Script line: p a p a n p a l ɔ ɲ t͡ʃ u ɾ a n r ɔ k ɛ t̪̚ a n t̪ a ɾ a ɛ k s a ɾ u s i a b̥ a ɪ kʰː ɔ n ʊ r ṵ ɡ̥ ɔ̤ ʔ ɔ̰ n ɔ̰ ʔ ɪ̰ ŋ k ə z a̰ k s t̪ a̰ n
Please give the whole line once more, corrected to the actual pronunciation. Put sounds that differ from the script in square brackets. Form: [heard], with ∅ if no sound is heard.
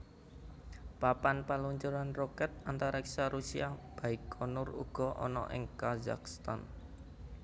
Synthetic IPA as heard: p a p a n p a l [u] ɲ t͡ʃ u ɾ a n r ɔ k ɛ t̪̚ a n t̪ a ɾ a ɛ k s a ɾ u s i a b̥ a ɪ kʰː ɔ n ʊ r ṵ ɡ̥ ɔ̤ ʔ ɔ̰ n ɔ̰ ʔ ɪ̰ ŋ k [a] z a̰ k s t̪ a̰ n

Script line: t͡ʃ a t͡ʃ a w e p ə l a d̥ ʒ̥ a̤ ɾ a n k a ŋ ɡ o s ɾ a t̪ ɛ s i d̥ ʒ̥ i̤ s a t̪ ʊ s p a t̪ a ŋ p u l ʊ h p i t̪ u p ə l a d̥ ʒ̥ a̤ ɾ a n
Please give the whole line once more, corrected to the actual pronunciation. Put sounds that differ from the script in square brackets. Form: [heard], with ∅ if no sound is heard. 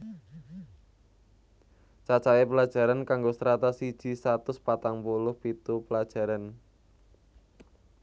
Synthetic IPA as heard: t͡ʃ a t͡ʃ a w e p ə l a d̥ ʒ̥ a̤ ɾ a n k a ŋ ɡ o s ɾ a t̪ [a] s i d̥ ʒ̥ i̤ s a t̪ ʊ s p a t̪ a ŋ p u l ʊ h p i t̪ u p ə l a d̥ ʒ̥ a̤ ɾ a n

